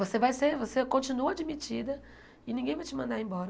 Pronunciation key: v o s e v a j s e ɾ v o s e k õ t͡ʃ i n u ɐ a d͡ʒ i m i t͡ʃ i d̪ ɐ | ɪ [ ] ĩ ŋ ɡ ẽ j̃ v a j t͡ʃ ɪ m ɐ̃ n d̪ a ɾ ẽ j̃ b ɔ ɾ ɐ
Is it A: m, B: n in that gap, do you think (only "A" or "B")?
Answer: B